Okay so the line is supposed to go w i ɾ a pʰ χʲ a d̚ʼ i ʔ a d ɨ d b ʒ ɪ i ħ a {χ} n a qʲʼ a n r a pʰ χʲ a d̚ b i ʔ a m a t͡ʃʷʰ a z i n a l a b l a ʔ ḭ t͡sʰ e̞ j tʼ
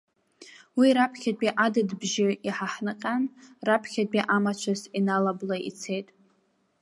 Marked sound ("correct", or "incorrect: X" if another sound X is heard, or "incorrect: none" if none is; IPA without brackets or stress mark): incorrect: ħ